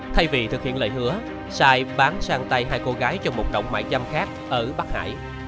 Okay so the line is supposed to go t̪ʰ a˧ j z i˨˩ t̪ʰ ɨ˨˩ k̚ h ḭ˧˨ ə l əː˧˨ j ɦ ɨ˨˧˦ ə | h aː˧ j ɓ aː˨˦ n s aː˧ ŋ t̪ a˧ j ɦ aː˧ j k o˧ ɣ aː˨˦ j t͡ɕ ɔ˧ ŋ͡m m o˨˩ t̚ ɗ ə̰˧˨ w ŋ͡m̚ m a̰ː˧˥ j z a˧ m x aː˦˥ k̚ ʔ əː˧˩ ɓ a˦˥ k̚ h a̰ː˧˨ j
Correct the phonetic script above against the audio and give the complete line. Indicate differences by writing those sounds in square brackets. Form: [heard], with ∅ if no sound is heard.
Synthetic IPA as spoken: t̪ʰ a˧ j [v] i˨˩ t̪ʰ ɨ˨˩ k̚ h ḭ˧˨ ə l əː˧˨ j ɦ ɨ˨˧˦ ə | [s] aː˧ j ɓ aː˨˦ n s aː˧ ŋ t̪ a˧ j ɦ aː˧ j k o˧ ɣ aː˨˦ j t͡ɕ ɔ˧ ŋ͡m m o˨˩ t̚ ɗ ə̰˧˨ w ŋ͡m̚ m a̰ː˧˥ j z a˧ m x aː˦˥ k̚ ʔ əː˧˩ ɓ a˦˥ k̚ h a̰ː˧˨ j